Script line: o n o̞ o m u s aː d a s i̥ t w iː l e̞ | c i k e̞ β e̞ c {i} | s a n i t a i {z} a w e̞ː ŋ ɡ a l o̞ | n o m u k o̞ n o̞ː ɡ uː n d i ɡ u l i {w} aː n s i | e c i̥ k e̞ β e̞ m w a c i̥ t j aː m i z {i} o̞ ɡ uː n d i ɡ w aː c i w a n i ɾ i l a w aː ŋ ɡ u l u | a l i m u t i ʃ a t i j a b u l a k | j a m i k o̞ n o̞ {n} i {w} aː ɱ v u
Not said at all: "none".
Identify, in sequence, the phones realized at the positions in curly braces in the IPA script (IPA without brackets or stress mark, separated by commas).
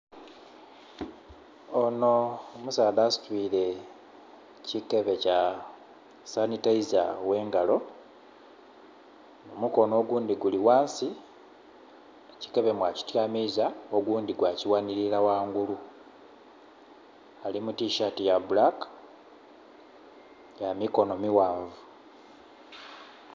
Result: a, z, w, a, m, w